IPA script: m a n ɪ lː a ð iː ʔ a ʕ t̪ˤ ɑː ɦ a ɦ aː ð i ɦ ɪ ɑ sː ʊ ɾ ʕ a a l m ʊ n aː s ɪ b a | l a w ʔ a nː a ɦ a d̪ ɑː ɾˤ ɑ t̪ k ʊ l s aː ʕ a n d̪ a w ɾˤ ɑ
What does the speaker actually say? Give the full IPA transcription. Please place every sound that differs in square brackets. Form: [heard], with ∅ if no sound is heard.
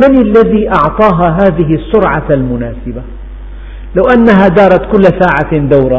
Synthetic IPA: m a n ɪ lː a ð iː ʔ [ɑ] ʕ t̪ˤ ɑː ɦ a ɦ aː ð [ɪ] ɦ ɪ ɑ sː ʊ ɾ ʕ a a l m ʊ n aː s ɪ b a | l a w ʔ a nː a ɦ a d̪ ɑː ɾˤ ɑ t̪ k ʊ [lː] s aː ʕ a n d̪ a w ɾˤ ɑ